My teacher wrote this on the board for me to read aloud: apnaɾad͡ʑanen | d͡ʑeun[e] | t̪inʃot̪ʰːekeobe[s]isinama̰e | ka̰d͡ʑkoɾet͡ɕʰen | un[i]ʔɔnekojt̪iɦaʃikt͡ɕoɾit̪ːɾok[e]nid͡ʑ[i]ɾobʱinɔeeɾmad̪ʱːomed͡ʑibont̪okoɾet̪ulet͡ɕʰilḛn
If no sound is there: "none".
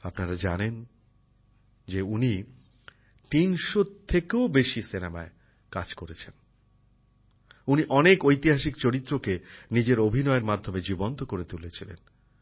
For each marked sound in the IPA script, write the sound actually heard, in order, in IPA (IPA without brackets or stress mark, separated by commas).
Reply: i, ʃ, i, e, e